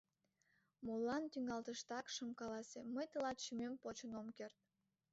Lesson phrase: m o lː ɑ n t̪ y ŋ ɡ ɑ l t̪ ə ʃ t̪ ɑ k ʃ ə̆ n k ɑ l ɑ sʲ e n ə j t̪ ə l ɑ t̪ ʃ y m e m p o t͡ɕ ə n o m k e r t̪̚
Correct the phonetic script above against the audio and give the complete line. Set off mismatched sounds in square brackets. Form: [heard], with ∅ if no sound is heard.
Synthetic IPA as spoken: m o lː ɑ n t̪ y ŋ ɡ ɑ l t̪ ə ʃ t̪ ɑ k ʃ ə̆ [m] k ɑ l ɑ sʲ e [m] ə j t̪ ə l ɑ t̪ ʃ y m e m p o t͡ɕ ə n o m k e r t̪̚